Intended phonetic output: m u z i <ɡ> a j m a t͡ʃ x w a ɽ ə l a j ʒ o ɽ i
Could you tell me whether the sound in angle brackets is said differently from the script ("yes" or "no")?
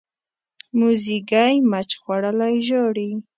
no